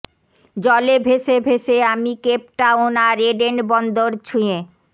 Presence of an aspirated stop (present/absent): present